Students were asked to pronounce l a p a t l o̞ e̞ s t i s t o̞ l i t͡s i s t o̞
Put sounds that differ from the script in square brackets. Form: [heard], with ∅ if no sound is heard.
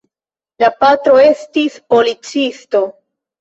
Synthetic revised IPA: l a p a t [ɾ] o̞ e̞ s t i s [p] o̞ l i t͡s i s t o̞